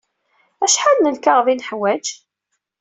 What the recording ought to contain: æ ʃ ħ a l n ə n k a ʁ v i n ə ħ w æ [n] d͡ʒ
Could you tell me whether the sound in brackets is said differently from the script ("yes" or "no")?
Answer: yes